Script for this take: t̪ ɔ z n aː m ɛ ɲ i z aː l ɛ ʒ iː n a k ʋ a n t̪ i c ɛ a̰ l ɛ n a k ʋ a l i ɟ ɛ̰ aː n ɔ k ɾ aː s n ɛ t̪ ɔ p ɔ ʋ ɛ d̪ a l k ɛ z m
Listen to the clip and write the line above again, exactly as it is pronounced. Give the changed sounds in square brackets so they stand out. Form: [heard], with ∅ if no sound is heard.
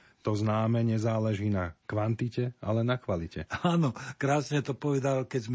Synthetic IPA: t̪ ɔ z n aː m ɛ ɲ [ɛ] z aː l ɛ ʒ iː n a k ʋ a n t̪ i c ɛ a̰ l ɛ n a k ʋ a l i [c] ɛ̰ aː n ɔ k ɾ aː s [ɲ] ɛ t̪ ɔ p ɔ ʋ ɛ d̪ a l k ɛ z m